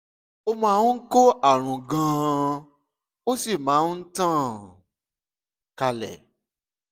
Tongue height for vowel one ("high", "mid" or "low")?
mid